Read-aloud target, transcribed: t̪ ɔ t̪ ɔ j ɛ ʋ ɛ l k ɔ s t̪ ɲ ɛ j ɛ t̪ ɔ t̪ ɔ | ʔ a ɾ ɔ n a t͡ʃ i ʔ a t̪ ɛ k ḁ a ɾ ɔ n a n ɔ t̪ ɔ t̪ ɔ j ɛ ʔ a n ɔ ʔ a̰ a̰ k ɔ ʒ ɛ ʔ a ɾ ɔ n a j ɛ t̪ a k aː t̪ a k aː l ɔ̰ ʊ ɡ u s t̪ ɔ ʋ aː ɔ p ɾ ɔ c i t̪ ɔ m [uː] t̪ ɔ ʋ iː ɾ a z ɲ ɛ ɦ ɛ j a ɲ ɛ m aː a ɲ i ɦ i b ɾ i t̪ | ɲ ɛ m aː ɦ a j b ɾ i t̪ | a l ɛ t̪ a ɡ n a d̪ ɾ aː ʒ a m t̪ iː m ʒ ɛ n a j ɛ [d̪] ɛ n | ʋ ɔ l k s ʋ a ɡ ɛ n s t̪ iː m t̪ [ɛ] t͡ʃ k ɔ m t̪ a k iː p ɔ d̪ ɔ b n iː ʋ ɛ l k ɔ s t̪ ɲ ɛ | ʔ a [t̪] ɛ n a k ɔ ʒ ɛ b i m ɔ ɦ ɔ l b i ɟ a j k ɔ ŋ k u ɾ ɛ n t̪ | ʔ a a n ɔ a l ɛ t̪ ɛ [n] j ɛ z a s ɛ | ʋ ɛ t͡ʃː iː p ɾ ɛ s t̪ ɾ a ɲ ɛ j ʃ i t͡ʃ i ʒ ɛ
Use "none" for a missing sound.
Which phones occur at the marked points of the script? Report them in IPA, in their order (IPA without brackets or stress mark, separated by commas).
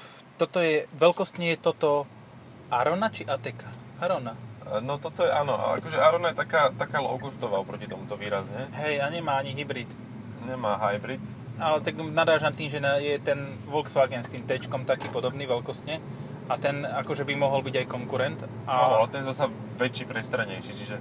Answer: u, t̪, ɛ, t̪, n